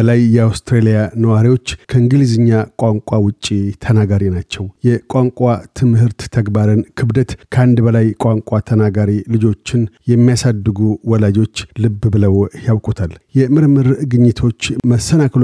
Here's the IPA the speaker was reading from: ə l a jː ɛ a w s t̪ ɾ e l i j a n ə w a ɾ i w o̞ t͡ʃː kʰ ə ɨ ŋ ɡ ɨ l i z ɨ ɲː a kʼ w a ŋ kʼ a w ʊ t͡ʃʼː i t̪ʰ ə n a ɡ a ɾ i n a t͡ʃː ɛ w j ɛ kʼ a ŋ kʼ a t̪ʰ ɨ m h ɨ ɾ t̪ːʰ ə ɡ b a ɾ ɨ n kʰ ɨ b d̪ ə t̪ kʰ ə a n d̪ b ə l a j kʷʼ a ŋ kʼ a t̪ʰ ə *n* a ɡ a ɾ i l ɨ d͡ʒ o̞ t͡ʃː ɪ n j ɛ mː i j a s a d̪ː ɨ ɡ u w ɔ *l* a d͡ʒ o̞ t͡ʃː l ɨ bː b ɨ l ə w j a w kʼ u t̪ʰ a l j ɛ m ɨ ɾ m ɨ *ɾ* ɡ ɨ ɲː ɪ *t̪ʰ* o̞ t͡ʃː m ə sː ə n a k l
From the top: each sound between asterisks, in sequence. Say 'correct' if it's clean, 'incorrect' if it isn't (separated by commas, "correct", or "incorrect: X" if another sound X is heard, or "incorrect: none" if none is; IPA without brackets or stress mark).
correct, correct, correct, correct